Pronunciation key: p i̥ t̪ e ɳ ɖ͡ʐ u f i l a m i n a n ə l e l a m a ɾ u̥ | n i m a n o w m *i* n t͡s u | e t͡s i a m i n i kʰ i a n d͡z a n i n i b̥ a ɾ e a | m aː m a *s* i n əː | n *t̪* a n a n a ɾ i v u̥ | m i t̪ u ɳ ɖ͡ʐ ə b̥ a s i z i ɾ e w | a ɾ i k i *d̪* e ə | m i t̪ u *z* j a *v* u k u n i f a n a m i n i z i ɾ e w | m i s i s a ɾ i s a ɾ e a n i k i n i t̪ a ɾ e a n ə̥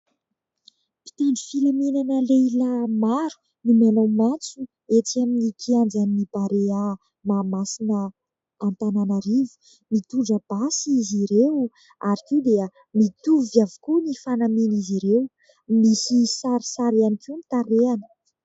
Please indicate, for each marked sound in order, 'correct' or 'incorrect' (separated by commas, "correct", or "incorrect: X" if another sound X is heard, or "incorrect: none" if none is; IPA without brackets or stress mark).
incorrect: a, correct, correct, correct, incorrect: v, correct